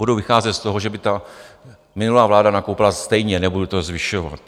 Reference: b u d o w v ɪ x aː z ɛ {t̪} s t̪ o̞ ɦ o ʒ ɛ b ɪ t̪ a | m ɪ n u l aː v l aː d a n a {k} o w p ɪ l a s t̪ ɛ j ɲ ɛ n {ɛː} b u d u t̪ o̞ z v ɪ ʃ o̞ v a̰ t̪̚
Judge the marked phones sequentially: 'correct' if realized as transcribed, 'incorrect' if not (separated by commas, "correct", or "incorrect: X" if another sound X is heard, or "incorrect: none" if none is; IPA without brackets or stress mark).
correct, correct, incorrect: ɛ